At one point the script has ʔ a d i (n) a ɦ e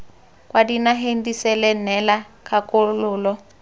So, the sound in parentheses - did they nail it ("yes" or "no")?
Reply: yes